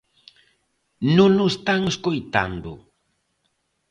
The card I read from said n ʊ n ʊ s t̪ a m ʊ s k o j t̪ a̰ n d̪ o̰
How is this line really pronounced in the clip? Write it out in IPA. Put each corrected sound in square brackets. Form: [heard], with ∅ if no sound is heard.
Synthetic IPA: n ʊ n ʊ s t̪ a [ŋ] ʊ s k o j t̪ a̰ n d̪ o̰

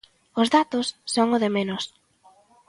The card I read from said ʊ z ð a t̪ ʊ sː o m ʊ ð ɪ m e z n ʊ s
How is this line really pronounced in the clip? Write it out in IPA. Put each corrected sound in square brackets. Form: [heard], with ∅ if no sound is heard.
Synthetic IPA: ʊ z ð a t̪ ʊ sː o [ŋ] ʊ ð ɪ m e [∅] n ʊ s

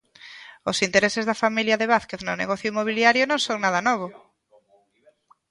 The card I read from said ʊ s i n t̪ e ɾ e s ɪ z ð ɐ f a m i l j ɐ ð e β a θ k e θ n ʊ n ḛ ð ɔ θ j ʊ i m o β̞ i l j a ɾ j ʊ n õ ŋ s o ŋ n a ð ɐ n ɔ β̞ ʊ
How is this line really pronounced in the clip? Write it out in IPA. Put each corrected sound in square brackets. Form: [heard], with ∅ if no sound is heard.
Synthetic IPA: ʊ s i n t̪ e ɾ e s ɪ z ð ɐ f a m i l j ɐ ð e β a θ k e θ n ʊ n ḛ [ɣ] ɔ θ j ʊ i m o β̞ i l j a ɾ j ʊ n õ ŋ s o ŋ n a ð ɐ n ɔ β̞ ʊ

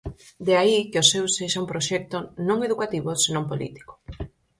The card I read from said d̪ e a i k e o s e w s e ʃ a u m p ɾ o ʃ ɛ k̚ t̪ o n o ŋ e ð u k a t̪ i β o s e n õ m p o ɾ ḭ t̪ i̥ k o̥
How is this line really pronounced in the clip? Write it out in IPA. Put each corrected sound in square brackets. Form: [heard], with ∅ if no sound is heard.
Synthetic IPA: d̪ e a i k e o s e w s e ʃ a u m p ɾ o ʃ ɛ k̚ t̪ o n [õ] ŋ e ð u k a t̪ i β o s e n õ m p o [l] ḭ t̪ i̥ k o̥

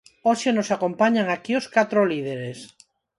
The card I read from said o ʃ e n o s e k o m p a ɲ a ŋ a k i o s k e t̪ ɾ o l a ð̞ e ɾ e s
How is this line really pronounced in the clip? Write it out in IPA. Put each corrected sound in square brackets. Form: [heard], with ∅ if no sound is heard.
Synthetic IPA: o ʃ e n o s [a] k o m p a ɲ a ŋ a k i o s k [a] t̪ ɾ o l [i] ð̞ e ɾ e s

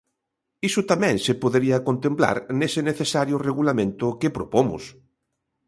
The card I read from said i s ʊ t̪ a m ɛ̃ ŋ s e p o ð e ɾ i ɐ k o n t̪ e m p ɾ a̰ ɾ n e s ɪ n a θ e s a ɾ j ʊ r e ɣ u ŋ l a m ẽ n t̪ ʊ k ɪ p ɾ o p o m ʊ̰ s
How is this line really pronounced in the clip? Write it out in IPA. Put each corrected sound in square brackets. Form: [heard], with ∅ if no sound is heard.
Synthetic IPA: i s ʊ t̪ a m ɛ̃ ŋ s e p o ð e ɾ i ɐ k o n t̪ e m p [l] a̰ ɾ n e s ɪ n [e] θ e s a ɾ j ʊ r e ɣ u [∅] l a m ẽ n t̪ ʊ k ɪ p ɾ o p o m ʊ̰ s

